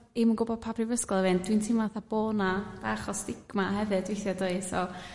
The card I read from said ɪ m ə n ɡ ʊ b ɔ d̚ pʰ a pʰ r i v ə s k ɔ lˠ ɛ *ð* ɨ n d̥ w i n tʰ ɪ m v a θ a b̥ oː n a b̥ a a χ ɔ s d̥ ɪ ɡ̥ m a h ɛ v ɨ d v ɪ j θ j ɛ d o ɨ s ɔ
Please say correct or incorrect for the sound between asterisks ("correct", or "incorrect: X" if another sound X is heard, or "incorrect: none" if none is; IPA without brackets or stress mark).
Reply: incorrect: v